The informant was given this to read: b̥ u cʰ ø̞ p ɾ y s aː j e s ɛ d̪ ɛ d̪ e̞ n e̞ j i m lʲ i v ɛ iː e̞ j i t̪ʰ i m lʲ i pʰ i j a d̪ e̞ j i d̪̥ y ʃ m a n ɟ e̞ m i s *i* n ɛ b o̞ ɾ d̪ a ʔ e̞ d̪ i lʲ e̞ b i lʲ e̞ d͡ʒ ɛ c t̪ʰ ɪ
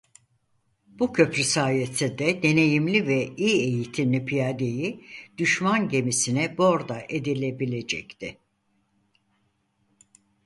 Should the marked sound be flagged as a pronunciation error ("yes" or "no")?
no